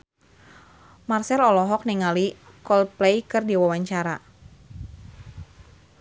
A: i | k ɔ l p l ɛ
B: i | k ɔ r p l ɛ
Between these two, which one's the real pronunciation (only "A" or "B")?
A